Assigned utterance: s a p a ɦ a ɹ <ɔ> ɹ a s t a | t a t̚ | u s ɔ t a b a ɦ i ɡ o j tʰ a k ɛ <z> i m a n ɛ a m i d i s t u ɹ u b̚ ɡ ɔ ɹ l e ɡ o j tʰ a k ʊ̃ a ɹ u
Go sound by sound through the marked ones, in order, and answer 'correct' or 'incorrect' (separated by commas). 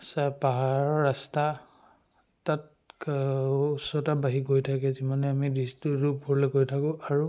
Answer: correct, correct